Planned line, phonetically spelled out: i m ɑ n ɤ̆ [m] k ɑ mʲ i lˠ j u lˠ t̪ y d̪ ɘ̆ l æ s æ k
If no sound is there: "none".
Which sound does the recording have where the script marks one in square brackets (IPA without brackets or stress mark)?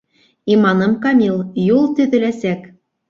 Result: m